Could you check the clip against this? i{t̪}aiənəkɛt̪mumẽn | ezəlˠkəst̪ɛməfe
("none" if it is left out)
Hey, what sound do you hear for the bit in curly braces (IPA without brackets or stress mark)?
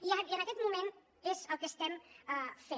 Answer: none